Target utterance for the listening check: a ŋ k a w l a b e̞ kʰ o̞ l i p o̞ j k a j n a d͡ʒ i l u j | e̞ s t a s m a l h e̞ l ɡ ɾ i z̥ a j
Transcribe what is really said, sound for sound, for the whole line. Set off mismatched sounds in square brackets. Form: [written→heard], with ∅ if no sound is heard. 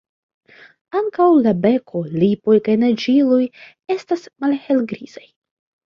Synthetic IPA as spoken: a ŋ k a w l a b e̞ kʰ o̞ l i p o̞ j k a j n a d͡ʒ i l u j | e̞ s t a s m a l h e̞ l ɡ ɾ i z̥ a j